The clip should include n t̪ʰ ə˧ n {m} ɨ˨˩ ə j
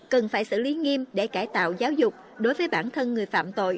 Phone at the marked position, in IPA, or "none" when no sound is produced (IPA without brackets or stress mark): ŋ